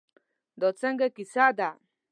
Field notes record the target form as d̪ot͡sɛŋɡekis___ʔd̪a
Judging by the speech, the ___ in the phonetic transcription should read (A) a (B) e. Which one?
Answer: A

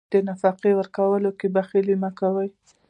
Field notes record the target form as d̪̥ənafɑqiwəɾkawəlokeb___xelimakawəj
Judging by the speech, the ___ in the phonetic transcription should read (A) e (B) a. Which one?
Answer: B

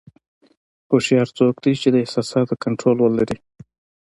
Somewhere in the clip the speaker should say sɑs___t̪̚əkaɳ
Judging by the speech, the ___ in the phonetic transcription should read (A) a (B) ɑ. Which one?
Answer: B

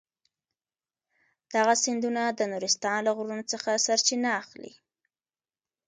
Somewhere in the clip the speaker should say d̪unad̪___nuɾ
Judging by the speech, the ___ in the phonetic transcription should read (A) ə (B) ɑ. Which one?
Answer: A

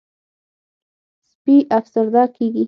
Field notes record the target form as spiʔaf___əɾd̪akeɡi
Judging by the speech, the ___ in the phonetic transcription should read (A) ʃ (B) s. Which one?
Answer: B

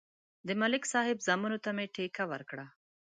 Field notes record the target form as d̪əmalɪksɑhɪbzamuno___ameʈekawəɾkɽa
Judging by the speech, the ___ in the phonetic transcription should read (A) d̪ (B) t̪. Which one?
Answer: B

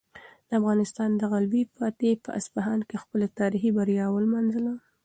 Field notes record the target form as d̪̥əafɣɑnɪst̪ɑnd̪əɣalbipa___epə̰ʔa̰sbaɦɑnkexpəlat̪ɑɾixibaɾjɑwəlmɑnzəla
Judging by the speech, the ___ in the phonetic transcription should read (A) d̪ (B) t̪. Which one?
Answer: B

